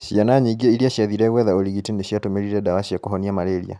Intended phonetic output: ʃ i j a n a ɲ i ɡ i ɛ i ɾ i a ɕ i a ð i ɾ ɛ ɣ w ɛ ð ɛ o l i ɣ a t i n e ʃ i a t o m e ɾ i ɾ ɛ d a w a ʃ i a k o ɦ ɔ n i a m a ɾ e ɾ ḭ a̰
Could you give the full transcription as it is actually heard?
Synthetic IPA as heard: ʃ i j a n a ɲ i ɡ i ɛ i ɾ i a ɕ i a ð i ɾ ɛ ɣ w ɛ ð a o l i ɣ i t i n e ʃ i a t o m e ɾ i ɾ ɛ d a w a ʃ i a k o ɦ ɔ n i a m a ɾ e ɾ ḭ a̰